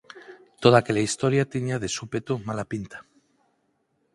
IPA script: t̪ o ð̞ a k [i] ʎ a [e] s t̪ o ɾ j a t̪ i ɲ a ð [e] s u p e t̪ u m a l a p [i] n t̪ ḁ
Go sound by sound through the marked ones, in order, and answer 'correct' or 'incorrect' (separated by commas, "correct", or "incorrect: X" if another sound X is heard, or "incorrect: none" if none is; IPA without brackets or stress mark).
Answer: incorrect: e, incorrect: i, correct, correct